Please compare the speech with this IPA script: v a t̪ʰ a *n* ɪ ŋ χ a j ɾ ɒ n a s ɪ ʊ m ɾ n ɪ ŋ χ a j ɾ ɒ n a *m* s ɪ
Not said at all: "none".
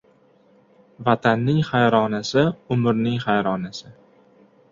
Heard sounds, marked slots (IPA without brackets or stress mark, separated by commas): nː, none